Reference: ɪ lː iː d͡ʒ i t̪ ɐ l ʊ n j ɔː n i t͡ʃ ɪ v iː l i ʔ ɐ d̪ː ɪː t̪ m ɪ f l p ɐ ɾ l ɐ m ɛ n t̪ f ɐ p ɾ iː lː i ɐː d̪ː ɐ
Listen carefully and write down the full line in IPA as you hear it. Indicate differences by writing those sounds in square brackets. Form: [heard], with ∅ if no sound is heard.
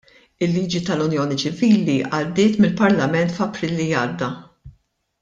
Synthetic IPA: ɪ lː iː d͡ʒ i t̪ ɐ l ʊ n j ɔː n i t͡ʃ ɪ v iː l i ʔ ɐ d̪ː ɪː t̪ m ɪ [∅] l p ɐ ɾ l ɐ m ɛ n t̪ f ɐ p ɾ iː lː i ɐː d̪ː ɐ